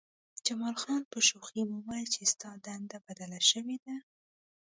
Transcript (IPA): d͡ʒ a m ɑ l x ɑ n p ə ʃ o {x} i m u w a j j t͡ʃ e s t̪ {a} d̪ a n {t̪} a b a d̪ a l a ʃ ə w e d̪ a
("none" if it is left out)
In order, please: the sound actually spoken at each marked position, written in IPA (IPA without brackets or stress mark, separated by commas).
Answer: x, ɑ, d̪